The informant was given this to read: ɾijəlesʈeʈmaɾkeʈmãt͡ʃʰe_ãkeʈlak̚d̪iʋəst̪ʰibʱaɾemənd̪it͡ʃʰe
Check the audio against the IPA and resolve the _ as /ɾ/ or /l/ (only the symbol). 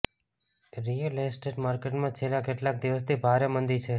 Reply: l